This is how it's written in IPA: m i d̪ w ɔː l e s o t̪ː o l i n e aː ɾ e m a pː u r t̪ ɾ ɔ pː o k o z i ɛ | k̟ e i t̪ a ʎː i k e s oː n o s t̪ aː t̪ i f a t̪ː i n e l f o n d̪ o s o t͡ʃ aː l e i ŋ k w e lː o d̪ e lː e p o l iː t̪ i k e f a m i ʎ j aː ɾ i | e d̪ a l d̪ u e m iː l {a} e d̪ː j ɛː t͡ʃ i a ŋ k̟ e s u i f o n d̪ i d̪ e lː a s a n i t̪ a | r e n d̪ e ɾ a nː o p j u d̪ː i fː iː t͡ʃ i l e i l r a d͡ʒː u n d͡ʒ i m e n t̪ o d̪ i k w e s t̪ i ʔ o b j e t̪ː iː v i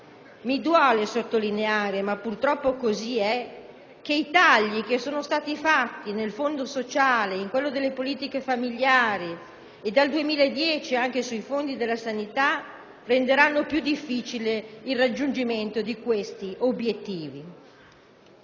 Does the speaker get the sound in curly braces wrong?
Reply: no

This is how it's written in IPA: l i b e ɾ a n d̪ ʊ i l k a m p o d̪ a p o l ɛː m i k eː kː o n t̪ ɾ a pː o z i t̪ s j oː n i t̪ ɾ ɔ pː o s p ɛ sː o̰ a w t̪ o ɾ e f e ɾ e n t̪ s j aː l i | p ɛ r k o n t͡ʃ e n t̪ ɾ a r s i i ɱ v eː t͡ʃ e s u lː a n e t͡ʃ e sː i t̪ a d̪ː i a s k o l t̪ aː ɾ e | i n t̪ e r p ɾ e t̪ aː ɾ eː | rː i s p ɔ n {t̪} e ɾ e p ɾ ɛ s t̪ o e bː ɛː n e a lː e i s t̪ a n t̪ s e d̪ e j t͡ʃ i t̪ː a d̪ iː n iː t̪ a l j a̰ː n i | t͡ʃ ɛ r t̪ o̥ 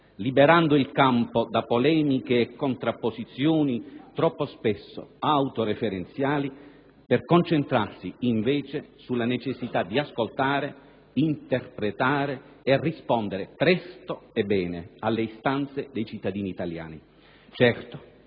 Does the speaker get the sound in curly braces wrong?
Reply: yes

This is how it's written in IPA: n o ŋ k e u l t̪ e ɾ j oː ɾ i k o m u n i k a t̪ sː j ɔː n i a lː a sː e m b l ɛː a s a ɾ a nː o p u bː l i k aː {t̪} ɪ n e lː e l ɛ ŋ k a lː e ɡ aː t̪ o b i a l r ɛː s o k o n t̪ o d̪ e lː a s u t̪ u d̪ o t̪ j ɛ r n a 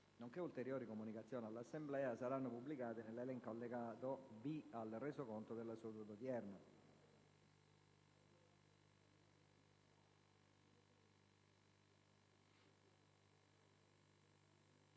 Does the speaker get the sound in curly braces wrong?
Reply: no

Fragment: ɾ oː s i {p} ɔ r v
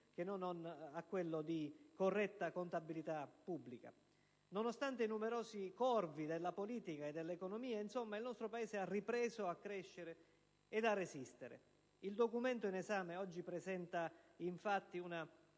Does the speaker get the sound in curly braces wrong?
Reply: yes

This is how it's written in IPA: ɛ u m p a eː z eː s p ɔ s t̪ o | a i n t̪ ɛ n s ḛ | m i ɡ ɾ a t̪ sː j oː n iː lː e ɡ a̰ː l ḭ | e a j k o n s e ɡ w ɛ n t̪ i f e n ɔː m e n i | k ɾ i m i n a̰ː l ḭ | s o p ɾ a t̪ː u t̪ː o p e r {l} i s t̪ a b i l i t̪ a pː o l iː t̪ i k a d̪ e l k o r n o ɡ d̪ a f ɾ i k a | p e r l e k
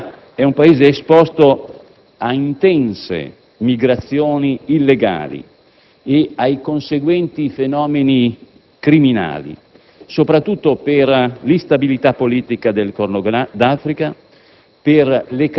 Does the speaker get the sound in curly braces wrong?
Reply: no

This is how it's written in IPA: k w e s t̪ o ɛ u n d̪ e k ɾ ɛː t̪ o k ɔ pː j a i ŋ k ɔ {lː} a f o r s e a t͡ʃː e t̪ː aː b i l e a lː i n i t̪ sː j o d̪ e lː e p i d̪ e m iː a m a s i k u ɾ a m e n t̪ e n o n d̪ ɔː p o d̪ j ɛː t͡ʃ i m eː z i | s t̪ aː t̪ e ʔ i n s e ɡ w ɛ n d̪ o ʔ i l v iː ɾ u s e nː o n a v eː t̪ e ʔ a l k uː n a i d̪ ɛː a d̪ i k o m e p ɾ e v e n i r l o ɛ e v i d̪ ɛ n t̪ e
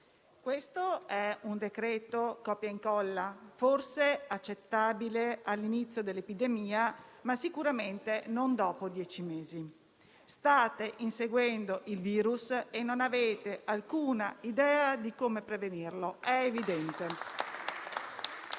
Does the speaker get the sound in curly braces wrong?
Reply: no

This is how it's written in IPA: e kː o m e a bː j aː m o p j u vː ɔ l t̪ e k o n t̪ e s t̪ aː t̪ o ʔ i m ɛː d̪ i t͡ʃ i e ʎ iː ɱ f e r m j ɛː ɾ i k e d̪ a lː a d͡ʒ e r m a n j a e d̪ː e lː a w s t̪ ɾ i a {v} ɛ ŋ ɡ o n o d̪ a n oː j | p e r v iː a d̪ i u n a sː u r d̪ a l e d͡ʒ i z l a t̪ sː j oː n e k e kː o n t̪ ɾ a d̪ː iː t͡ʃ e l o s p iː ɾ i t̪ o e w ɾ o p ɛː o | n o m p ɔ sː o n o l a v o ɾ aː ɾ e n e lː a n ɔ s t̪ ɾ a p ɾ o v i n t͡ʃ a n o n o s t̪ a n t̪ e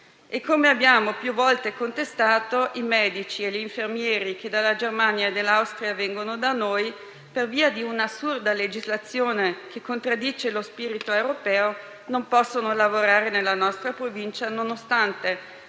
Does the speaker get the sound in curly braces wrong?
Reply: no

